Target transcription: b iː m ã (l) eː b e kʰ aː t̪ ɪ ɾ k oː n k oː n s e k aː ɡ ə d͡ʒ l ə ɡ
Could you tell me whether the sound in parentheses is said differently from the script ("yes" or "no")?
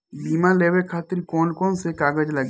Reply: no